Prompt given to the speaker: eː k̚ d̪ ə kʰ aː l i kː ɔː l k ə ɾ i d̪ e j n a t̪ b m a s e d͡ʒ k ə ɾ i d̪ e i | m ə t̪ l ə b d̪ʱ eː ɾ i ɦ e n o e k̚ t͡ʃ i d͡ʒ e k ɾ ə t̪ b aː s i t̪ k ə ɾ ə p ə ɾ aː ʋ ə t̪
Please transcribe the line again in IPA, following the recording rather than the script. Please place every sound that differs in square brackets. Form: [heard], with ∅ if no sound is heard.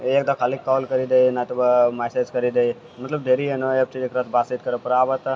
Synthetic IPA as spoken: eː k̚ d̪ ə kʰ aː l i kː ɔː l k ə ɾ i d̪ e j n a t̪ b m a s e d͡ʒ k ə ɾ i d̪ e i | m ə t̪ l ə b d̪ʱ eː ɾ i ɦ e n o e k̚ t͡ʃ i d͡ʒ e k ɾ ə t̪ b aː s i t̪ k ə ɾ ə p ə ɾ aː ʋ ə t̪